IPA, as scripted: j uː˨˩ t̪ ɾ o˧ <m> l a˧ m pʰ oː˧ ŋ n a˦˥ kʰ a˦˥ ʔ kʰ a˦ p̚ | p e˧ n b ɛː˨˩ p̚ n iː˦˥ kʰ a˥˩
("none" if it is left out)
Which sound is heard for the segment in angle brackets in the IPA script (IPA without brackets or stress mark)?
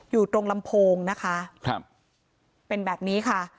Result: ŋ